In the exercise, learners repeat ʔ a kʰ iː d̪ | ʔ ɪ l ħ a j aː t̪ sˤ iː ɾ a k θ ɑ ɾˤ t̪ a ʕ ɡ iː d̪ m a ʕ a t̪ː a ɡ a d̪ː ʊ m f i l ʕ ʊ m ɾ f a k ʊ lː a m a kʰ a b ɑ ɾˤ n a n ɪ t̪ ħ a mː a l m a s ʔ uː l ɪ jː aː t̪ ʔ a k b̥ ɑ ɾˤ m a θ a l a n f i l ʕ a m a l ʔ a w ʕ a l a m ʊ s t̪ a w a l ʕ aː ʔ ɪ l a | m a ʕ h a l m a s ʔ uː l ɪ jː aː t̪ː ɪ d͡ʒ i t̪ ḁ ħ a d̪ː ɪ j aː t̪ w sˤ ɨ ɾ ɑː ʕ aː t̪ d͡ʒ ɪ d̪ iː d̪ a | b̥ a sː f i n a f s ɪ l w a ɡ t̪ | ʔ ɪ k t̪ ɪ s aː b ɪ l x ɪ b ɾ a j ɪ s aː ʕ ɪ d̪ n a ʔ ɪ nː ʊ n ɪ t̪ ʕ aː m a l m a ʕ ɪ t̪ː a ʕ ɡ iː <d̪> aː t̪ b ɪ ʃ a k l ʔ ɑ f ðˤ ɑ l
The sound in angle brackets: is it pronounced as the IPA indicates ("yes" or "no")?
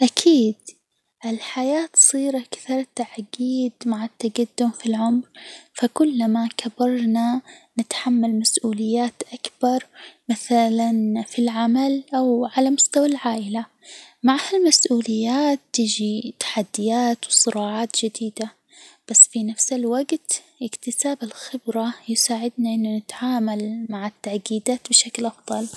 yes